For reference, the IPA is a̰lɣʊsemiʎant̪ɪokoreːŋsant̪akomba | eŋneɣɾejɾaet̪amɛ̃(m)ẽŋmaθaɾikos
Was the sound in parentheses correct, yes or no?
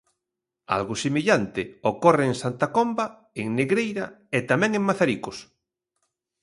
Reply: no